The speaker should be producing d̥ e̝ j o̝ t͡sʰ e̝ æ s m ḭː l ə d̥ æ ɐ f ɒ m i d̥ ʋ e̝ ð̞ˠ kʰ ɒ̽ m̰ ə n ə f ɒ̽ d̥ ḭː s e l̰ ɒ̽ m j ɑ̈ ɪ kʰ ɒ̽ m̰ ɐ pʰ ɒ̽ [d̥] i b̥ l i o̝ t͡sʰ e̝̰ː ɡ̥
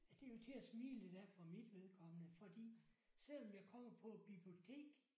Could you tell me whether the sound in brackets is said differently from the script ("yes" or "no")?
yes